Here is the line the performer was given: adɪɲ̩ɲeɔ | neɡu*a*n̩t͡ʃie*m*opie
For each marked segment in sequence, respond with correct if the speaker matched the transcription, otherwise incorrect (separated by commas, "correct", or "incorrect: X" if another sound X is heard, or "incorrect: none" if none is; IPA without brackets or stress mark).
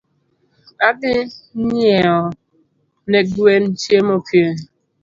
incorrect: e, correct